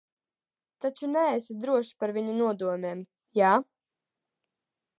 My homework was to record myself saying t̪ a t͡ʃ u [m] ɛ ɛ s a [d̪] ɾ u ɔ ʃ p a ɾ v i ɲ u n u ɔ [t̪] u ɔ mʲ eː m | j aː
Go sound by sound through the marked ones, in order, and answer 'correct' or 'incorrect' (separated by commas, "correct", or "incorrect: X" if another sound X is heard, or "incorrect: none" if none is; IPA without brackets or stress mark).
incorrect: n, correct, incorrect: d̪